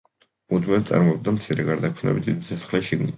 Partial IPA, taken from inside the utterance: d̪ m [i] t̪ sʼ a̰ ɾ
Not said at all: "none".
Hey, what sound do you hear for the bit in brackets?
ɛ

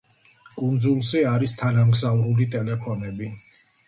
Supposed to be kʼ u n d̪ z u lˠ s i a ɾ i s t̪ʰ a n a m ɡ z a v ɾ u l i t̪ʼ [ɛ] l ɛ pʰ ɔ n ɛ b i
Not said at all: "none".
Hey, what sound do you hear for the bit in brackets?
ɛ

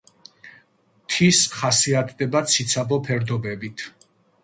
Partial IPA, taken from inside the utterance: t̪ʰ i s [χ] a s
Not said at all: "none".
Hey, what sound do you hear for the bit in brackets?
χ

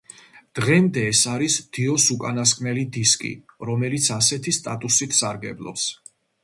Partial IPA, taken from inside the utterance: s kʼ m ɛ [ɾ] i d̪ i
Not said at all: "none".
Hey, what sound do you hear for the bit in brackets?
l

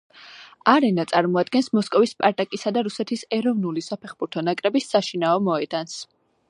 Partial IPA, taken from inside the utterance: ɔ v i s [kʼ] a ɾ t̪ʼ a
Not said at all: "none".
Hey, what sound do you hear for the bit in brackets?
pʼ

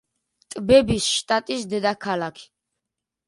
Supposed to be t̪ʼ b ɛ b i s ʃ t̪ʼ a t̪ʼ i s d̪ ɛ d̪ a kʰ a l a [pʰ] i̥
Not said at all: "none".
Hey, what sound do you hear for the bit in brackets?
kʰ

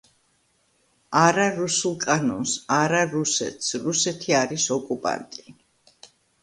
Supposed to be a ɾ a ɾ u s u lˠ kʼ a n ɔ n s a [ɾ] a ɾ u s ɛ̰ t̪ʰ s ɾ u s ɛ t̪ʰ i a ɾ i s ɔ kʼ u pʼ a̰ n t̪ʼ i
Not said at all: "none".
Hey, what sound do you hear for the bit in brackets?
ɾ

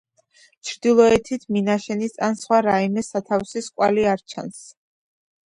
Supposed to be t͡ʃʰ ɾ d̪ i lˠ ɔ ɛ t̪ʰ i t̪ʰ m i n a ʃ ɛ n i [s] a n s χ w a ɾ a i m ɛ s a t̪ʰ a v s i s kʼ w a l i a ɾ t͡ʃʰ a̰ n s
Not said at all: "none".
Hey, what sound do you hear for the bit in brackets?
s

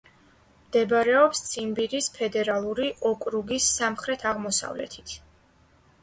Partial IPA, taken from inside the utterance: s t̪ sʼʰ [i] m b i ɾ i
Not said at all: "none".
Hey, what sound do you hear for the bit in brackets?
i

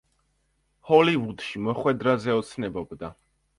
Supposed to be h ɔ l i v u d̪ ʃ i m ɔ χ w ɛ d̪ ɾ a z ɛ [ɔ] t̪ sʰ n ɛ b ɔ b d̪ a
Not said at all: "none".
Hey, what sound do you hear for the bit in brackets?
ɔ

